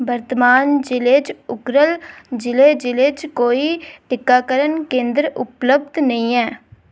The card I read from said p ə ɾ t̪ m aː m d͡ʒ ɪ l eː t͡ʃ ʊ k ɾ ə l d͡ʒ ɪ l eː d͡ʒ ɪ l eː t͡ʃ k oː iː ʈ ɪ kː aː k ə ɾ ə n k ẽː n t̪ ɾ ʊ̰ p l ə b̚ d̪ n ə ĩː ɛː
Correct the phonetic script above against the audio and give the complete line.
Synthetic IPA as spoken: b ə ɾ t̪ m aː n d͡ʒ ɪ l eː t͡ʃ ʊ k ɾ ə l d͡ʒ ɪ l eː d͡ʒ ɪ l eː t͡ʃ k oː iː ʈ ɪ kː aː k ə ɾ ə n k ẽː n d̪ ɾ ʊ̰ p l ə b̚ d̪ n ə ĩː ɛː